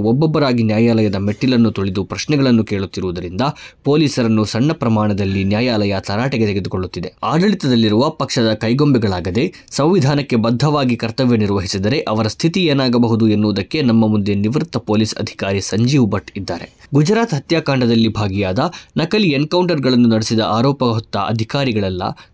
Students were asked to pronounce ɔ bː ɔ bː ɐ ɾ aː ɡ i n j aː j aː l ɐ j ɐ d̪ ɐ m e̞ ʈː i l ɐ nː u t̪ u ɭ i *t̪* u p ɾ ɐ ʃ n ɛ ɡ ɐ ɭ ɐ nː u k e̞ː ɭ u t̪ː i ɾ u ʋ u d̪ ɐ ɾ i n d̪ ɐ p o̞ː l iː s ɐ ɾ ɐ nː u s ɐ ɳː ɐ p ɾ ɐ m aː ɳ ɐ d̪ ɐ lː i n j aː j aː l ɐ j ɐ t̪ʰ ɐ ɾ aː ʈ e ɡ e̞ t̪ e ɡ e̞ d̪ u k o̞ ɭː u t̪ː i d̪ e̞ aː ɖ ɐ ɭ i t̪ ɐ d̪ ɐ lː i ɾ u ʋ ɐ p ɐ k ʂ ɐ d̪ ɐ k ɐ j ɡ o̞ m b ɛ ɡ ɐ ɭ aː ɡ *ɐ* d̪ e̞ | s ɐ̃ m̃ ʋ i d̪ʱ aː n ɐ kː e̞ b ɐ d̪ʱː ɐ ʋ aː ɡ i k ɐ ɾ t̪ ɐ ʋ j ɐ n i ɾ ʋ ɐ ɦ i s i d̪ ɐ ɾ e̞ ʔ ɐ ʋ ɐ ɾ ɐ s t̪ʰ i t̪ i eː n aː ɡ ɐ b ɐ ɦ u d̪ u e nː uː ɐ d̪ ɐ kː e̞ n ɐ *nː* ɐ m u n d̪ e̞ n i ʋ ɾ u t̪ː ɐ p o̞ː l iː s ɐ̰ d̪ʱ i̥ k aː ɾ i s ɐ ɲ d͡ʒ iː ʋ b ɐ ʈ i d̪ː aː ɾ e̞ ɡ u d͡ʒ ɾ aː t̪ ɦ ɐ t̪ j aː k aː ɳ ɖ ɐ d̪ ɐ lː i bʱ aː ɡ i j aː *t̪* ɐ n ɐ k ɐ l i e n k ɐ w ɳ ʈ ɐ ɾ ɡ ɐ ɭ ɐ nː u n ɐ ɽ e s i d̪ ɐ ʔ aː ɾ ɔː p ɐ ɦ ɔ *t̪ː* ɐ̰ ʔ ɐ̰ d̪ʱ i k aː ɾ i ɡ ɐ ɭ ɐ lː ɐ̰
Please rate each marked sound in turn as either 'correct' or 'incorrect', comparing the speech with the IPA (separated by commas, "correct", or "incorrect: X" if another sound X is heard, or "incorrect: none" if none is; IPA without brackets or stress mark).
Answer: incorrect: d̪, correct, incorrect: mː, incorrect: d̪, correct